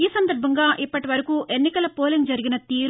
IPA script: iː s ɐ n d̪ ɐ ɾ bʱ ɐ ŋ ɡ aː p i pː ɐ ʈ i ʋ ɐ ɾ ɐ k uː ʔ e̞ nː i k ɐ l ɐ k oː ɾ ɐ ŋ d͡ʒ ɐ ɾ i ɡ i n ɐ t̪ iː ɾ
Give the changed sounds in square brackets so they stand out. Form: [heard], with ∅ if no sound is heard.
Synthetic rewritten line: iː s ɐ n d̪ ɐ ɾ bʱ ɐ ŋ ɡ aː [ʔ] i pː ɐ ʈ i ʋ ɐ ɾ ɐ k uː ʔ e̞ nː i k ɐ l ɐ [p] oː [l] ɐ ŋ d͡ʒ ɐ ɾ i ɡ i n ɐ t̪ iː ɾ